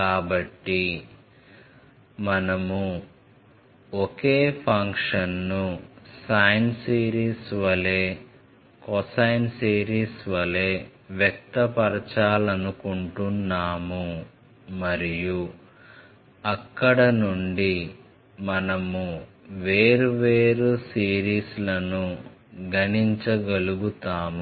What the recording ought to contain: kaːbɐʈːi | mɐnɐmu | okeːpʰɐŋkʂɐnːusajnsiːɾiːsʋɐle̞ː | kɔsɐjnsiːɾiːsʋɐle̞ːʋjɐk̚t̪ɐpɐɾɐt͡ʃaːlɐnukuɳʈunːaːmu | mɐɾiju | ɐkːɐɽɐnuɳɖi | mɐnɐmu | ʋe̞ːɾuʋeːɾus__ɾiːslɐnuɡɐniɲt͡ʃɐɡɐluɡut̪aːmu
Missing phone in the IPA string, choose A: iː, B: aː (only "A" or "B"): A